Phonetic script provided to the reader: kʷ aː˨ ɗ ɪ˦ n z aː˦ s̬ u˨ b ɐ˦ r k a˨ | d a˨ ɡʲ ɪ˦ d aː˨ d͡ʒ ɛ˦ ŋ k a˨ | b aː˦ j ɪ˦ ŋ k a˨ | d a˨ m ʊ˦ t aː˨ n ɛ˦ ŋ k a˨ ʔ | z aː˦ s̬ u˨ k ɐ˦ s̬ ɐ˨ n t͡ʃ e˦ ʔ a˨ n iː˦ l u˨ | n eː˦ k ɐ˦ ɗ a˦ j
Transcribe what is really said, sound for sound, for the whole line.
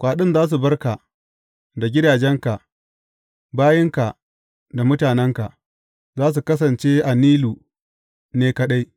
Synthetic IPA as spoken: kʷ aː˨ ɗ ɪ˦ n z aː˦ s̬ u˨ b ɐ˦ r k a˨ | d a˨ ɡʲ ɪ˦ d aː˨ d͡ʒ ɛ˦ ŋ k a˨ | b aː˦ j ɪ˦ ŋ k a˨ | d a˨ m ʊ˦ t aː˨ n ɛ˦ ŋ k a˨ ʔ | z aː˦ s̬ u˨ k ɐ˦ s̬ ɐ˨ n t͡ʃ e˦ ʔ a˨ n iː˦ l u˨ | n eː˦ k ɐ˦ ɗ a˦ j

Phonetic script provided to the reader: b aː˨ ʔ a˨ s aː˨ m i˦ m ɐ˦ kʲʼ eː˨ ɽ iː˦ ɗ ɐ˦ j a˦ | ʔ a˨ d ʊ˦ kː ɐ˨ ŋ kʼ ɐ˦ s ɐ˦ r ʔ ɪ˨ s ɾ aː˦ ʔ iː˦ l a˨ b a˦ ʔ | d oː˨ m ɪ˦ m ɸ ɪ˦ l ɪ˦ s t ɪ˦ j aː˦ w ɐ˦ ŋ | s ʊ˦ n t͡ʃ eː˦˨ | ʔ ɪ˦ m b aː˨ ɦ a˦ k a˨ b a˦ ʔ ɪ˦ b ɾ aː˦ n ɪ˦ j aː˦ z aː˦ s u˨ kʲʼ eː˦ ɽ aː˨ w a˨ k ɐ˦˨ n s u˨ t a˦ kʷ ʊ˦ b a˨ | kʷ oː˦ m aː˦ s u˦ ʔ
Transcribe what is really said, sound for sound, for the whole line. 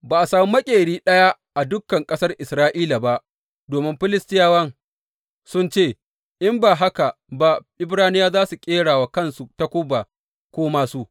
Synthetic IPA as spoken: b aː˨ ʔ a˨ s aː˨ m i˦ m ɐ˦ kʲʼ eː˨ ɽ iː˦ ɗ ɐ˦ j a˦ | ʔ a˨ d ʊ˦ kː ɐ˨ ŋ kʼ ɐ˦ s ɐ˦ r ʔ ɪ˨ s ɾ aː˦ ʔ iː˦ l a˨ b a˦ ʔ | d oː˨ m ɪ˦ m ɸ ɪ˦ l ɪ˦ s t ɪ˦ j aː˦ w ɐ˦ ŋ | s ʊ˦ n t͡ʃ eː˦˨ | ʔ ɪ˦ m b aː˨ ɦ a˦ k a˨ b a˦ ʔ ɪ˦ b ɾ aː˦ n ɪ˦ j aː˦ z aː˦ s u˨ kʲʼ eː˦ ɽ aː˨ w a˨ k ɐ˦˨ n s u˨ t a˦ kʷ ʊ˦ b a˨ | kʷ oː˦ m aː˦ s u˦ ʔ

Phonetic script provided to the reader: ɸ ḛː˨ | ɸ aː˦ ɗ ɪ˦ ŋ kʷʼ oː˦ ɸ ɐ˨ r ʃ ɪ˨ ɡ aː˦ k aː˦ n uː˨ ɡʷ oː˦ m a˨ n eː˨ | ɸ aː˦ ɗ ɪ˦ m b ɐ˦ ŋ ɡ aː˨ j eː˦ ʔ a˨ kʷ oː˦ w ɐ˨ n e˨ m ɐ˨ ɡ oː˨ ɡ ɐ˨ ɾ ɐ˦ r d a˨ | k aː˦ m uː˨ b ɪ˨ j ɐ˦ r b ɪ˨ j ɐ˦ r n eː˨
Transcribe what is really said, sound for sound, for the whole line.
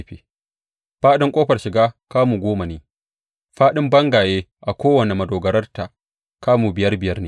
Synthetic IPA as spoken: ɸ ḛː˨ | ɸ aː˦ ɗ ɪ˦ ŋ kʷʼ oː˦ ɸ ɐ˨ r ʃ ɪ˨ ɡ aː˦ k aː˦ m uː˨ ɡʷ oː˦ m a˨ n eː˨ | ɸ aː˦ ɗ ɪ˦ m b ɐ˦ ŋ ɡ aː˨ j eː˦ ʔ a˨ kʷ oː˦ w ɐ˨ n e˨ m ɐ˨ d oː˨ ɡ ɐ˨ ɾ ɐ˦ r t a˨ | k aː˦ m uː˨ b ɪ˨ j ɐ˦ r b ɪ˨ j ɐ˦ r n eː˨

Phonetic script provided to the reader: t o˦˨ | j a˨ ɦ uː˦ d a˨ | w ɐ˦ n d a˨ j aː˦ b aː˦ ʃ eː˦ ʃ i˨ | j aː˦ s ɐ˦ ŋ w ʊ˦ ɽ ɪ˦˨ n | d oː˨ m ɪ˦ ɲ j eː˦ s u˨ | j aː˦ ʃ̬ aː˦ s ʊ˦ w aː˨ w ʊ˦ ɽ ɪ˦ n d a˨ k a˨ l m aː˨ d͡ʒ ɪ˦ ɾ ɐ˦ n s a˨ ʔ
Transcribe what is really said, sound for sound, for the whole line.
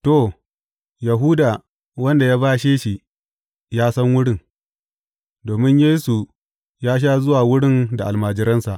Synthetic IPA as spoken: t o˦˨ | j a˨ ɦ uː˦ d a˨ | w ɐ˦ n d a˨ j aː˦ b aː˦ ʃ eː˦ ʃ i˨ | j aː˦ s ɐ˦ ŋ w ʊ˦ ɽ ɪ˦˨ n | d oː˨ m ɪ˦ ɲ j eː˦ s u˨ | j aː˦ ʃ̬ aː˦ z ʊ˦ w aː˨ w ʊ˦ ɽ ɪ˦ n d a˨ ʔ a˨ l m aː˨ d͡ʒ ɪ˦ ɾ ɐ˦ n s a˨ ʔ

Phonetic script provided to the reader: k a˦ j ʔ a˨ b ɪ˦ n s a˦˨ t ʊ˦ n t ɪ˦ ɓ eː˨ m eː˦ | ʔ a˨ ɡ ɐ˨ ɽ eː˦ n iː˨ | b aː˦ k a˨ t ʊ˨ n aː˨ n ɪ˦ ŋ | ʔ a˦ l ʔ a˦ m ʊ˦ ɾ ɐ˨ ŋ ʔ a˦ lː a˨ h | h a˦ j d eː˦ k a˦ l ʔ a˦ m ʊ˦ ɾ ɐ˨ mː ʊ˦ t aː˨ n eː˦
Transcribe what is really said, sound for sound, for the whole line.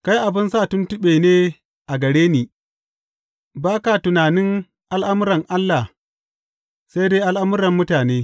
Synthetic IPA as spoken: k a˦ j ʔ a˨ b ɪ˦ n s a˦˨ t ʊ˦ n t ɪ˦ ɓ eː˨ n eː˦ | ʔ a˨ ɡ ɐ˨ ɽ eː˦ n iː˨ | b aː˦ k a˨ t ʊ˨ n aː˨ n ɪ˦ ŋ | ʔ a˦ l ʔ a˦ m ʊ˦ ɾ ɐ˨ ŋ ʔ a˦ lː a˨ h | s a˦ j d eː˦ ʔ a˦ l ʔ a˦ m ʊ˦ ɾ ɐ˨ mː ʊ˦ t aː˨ n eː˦

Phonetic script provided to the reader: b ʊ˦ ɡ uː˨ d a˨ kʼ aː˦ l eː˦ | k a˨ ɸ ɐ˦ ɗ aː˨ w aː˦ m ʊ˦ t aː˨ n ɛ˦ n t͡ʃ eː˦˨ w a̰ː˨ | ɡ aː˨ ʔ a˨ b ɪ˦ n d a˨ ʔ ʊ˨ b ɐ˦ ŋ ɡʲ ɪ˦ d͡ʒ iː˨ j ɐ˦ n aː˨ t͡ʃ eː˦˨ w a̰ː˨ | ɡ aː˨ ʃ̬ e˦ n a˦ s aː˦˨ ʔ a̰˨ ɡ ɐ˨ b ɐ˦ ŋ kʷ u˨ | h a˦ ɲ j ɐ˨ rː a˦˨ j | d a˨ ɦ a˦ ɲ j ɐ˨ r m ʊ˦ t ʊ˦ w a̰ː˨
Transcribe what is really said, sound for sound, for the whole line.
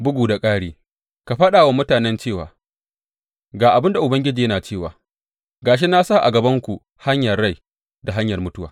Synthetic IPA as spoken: b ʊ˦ ɡ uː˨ d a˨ kʼ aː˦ ɽ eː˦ | k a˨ ɸ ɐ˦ ɗ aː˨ w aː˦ m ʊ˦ t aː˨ n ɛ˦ n t͡ʃ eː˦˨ w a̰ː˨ | ɡ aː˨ ʔ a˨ b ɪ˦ n d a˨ ʔ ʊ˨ b ɐ˦ ŋ ɡʲ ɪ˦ d͡ʒ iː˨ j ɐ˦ n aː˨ t͡ʃ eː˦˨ w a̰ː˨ | ɡ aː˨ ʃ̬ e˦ n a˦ s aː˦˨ ʔ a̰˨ ɡ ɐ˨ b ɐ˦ ŋ kʷ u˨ | h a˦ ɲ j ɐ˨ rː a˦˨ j | d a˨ ɦ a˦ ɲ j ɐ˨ r m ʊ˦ t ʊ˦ w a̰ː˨

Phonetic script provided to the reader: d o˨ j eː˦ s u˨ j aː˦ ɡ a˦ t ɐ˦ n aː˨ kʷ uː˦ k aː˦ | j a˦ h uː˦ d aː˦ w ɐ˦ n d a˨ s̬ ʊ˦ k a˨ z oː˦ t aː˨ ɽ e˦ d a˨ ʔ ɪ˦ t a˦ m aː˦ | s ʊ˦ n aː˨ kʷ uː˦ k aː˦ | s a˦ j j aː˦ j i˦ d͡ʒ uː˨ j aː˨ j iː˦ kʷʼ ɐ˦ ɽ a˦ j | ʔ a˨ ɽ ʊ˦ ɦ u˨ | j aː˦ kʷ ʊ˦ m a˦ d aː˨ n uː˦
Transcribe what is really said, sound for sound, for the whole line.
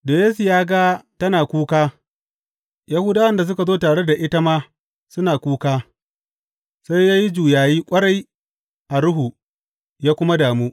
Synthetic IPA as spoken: d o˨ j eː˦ s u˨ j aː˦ ɡ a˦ t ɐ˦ n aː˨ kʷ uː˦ k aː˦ | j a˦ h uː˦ d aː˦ w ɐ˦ n d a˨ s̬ ʊ˦ k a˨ z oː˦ t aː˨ ɽ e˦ d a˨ ʔ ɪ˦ t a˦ m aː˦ | s ʊ˦ n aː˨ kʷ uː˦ k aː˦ | s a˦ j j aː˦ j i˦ d͡ʒ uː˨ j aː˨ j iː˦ kʷʼ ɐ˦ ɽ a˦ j | ʔ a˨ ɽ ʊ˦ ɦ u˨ | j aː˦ kʷ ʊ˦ m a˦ d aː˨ m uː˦

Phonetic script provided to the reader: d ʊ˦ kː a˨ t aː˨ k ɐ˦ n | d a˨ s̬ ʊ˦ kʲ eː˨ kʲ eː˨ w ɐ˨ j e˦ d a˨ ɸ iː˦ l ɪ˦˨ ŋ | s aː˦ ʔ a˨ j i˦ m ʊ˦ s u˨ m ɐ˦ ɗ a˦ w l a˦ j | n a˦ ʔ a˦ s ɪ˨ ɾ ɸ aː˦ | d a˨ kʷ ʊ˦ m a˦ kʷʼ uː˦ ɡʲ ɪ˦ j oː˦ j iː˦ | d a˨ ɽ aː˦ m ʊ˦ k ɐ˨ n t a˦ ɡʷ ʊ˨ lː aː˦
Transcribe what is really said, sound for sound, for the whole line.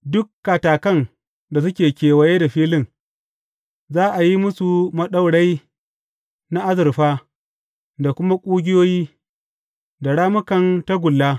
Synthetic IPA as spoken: d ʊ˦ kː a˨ t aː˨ k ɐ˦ n | d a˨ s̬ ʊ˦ kʲ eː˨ kʲ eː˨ w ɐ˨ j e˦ d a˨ ɸ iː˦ l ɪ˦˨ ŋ | z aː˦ ʔ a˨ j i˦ m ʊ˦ s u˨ m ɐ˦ ɗ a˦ w ɽ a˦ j | n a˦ ʔ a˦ z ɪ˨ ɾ ɸ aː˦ | d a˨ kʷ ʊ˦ m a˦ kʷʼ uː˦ ɡʲ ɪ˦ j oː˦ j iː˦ | d a˨ ɽ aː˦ m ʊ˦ k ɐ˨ n t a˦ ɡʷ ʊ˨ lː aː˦

